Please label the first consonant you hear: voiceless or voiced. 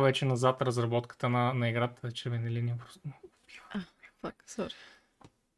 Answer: voiced